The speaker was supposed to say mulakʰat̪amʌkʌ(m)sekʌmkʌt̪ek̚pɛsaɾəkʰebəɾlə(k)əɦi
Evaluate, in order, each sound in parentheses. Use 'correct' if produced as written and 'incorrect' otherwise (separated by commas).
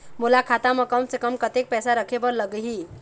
correct, incorrect